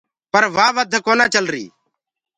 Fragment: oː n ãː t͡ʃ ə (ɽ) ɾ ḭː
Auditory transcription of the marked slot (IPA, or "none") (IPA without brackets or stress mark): l